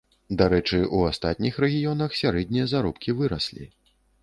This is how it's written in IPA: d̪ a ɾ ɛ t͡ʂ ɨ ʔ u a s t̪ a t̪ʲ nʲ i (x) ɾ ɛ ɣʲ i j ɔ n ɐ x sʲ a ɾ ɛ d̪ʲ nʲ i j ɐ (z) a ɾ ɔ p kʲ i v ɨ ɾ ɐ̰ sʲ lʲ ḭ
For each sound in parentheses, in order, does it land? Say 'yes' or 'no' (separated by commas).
yes, yes